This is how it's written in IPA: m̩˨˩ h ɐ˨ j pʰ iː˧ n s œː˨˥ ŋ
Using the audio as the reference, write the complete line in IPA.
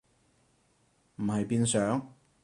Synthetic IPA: m̩˨˩ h ɐ˨ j p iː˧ n s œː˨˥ ŋ